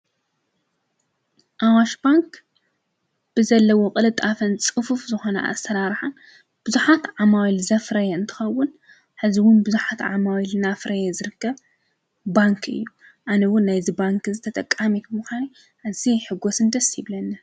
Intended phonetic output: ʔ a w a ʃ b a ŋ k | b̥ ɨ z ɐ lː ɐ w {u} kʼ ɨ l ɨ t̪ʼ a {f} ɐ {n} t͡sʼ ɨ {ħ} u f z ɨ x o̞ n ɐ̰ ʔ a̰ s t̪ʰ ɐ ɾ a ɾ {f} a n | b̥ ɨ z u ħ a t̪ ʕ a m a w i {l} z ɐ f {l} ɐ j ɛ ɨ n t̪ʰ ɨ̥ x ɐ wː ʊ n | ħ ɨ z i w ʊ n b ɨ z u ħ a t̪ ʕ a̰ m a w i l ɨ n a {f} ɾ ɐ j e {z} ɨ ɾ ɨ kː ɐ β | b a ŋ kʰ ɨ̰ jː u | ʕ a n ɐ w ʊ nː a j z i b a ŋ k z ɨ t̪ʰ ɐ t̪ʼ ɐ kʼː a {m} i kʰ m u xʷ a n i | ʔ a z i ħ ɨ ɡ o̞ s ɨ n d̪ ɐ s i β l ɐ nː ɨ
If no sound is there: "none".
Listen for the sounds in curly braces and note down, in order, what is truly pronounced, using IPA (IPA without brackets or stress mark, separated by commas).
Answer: o, f, n, f, ħ, l, ɾ, f, z, m